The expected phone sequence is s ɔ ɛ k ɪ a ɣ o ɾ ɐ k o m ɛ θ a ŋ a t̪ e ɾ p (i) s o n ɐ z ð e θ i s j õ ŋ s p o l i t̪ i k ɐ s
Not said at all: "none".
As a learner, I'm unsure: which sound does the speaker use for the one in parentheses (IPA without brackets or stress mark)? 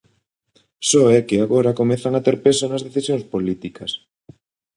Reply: e